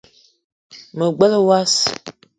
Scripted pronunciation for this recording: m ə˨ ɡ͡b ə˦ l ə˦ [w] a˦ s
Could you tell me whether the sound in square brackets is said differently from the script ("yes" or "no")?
no